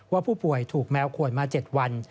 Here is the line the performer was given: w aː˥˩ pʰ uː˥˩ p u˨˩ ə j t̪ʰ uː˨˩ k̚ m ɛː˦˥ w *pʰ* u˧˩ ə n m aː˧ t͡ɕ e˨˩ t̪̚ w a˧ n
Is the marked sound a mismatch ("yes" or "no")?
yes